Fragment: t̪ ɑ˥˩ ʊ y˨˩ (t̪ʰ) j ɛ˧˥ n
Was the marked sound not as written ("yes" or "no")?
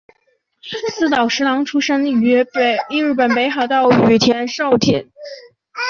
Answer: no